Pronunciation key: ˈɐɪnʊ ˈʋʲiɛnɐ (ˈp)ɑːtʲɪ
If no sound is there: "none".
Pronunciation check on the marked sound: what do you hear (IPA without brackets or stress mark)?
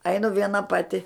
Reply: p